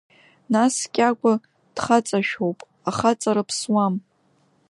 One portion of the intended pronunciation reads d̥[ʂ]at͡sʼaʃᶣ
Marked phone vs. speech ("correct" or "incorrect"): incorrect